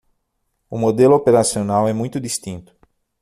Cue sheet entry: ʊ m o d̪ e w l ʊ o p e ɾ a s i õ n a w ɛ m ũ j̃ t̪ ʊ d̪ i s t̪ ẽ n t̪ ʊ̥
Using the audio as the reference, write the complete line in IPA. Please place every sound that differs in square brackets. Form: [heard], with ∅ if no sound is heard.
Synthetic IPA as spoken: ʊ m o d̪ e [∅] l ʊ o p e ɾ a s i [o] n a w ɛ m ũ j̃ t̪ ʊ d̪ i s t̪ [ĩ] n t̪ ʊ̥